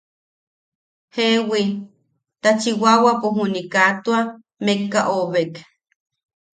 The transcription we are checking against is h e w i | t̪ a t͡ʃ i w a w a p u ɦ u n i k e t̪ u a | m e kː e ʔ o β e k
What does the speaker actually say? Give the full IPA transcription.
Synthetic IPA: h e w i | t̪ a t͡ʃ i w a w a p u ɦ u n i k a t̪ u a | m e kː a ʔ o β e k